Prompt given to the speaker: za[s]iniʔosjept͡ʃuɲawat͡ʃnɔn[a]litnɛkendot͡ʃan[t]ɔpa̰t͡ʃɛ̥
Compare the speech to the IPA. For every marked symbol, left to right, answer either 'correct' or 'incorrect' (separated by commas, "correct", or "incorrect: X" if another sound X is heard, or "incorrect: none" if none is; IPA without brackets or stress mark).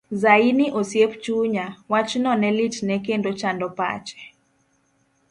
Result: incorrect: none, incorrect: ɛ, incorrect: d